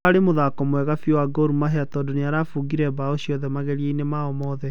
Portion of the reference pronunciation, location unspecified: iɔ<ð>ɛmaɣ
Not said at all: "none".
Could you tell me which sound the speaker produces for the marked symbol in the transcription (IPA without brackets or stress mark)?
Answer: ð